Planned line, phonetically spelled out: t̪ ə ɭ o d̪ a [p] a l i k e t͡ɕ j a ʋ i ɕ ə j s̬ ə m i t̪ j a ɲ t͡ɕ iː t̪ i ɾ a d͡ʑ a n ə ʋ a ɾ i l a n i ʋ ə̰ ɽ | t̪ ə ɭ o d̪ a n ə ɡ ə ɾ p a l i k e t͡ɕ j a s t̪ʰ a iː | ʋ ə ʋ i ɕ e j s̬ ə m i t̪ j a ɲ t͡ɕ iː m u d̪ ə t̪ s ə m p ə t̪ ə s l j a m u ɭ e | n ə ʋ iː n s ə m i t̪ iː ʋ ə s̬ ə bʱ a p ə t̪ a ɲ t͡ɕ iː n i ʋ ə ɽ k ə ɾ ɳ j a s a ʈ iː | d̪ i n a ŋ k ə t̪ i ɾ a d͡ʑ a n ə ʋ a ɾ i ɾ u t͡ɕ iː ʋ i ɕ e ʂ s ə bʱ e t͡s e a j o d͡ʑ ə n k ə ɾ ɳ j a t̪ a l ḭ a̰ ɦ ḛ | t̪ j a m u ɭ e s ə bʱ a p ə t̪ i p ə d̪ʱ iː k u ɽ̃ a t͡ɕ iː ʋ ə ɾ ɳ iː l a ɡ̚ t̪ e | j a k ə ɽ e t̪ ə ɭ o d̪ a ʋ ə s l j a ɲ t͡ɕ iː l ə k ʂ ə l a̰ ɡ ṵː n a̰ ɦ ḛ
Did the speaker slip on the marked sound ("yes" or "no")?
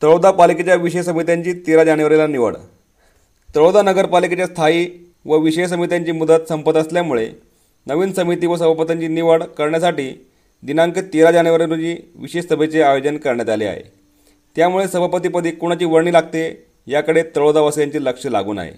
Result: no